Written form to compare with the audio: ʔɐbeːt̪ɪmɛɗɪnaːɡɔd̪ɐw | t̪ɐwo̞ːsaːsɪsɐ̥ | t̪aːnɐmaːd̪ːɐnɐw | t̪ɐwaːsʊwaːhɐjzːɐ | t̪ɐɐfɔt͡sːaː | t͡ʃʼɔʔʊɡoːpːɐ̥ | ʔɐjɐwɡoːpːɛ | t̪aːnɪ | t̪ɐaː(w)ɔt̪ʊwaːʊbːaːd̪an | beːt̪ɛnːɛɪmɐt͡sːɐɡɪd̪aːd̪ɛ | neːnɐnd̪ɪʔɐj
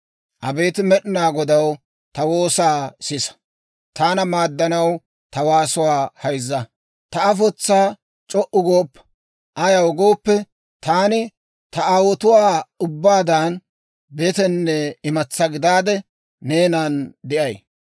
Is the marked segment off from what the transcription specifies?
no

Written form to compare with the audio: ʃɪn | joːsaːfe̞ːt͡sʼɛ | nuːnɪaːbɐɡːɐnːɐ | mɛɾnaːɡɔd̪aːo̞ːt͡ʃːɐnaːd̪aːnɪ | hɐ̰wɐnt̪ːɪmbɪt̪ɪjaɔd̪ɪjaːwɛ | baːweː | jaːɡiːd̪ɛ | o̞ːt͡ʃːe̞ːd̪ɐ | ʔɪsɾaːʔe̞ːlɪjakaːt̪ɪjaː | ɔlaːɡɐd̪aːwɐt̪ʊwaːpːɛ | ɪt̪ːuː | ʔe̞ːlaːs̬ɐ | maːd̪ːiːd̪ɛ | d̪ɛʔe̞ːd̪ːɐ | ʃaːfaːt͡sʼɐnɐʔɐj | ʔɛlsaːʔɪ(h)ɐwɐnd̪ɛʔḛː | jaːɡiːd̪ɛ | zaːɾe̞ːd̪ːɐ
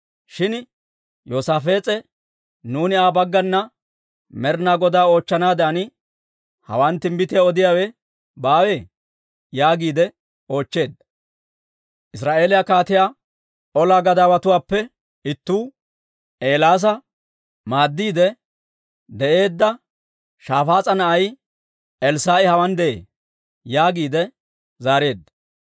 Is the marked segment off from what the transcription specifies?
no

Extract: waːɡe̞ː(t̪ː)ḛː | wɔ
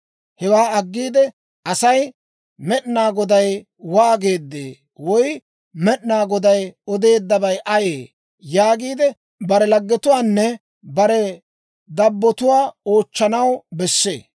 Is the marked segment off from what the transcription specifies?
yes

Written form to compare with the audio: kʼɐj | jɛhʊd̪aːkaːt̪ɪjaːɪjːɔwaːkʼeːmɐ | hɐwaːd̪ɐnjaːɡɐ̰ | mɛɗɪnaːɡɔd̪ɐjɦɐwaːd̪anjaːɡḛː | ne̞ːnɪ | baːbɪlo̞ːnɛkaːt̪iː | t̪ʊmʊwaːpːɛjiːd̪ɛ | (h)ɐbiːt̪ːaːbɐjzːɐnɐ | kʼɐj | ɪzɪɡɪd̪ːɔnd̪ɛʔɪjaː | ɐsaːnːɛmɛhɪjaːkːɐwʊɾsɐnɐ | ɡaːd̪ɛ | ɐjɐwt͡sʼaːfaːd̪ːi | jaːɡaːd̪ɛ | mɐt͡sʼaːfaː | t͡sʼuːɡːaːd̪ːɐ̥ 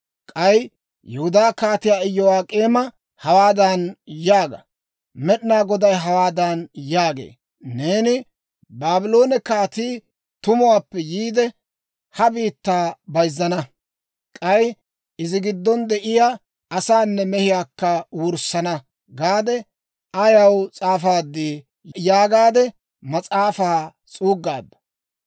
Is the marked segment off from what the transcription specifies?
no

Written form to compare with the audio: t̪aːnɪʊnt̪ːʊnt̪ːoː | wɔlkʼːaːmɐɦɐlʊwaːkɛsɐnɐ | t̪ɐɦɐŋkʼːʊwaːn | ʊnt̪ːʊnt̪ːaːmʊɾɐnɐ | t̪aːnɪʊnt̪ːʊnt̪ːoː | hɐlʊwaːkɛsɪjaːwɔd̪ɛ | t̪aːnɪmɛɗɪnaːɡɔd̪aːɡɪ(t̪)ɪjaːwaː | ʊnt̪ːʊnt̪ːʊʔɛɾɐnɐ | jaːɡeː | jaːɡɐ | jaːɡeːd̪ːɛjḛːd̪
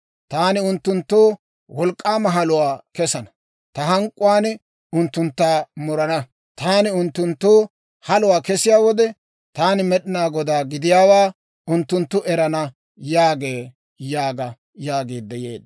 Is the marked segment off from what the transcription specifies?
yes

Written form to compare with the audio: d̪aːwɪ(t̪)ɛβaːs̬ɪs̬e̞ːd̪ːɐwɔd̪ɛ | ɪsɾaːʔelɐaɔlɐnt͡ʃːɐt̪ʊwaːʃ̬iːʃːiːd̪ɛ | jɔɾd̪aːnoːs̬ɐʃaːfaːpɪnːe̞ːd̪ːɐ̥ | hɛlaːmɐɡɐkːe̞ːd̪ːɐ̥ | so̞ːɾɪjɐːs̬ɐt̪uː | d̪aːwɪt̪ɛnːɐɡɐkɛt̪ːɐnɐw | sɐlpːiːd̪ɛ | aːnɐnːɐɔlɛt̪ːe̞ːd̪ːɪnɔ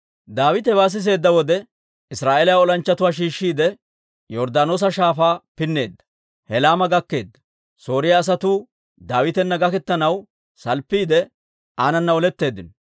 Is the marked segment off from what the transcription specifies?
no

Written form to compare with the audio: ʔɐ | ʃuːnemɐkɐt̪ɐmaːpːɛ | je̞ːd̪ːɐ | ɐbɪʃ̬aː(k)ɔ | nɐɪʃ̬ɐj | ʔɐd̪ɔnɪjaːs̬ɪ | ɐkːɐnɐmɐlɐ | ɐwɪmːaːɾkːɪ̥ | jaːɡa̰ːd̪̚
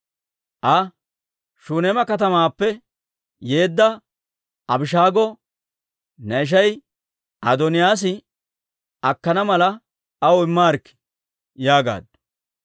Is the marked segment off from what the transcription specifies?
yes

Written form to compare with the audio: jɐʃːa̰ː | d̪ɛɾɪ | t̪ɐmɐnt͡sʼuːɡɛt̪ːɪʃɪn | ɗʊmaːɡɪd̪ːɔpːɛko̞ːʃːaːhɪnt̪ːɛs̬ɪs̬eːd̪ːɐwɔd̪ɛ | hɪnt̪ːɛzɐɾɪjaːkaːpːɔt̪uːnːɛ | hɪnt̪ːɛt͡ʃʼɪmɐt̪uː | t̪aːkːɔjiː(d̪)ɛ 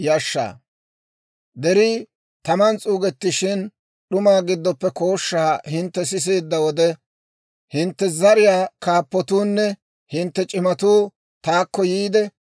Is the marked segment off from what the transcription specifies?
no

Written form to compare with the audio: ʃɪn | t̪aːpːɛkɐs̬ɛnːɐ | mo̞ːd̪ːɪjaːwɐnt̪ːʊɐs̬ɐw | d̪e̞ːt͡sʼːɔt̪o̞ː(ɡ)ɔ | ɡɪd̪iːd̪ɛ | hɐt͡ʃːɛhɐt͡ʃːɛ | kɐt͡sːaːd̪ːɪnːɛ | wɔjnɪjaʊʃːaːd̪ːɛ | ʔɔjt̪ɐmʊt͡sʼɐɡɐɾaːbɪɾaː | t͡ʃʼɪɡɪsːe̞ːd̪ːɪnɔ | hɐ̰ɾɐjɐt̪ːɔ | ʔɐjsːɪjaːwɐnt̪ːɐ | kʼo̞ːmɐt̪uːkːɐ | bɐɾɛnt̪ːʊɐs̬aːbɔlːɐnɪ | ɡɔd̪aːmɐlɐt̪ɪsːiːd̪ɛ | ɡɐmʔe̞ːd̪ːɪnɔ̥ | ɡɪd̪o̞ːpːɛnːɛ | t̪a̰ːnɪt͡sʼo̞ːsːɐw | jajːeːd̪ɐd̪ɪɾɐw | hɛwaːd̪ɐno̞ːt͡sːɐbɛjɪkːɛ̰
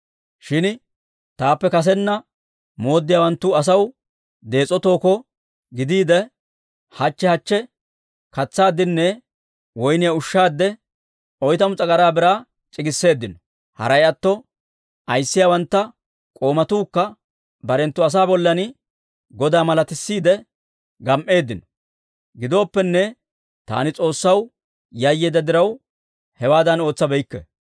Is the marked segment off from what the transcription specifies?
yes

